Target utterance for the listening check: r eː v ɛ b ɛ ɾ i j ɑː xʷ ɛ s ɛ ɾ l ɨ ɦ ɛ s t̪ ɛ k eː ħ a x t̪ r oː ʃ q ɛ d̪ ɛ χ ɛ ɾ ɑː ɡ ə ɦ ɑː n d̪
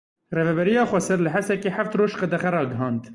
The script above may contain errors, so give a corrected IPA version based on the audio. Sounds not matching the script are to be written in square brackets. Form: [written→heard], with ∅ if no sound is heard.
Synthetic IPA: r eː v ɛ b ɛ ɾ i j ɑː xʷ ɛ s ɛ ɾ l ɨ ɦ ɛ s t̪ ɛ k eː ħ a [x→f] t̪ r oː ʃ q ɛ d̪ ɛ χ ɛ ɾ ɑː ɡ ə ɦ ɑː n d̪